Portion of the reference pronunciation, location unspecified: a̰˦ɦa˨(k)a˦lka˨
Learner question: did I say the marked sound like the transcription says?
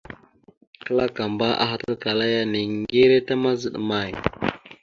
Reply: no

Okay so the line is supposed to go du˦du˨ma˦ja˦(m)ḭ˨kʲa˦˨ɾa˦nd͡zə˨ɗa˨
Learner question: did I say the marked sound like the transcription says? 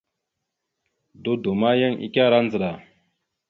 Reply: no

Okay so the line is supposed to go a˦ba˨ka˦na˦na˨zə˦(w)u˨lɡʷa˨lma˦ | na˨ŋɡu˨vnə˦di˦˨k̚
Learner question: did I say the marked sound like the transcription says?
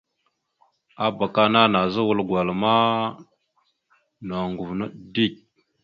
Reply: yes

